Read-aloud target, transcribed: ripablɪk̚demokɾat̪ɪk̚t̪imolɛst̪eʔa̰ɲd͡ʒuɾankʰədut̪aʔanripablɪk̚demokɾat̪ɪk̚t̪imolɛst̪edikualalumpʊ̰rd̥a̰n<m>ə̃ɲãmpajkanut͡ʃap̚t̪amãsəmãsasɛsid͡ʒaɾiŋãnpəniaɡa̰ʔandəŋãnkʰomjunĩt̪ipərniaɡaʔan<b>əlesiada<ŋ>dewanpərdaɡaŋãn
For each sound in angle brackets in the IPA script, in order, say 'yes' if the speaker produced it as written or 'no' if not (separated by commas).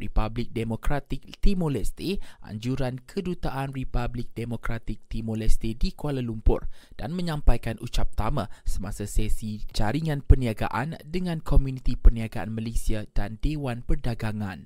yes, no, no